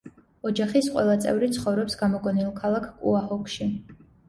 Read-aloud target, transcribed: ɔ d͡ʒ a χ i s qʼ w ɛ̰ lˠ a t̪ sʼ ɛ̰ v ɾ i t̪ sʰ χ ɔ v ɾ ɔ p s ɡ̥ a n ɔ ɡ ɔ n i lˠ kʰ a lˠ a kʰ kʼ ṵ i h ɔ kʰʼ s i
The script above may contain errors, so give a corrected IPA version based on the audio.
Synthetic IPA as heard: ɔ d͡ʒ a χ i s qʼ w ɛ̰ lˠ a t̪ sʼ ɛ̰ v ɾ i t̪ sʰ χ ɔ v ɾ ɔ p s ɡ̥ a m ɔ ɡ ɔ n i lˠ kʰ a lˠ a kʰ kʼ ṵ a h ɔ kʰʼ ʃ i